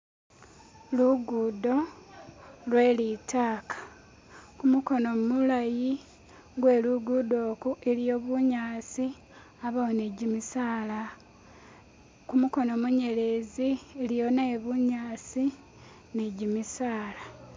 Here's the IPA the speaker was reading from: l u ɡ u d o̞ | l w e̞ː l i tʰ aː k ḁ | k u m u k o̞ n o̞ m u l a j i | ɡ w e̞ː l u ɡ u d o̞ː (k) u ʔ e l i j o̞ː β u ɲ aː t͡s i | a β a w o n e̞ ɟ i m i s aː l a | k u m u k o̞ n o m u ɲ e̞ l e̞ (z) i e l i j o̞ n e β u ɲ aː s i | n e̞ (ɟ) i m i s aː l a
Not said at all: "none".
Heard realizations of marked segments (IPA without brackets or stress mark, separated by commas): k, z, ɟ